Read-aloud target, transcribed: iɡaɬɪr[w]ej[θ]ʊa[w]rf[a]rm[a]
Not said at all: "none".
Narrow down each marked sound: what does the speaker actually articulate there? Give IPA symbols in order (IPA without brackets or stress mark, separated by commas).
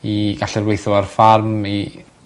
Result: w, θ, none, a, i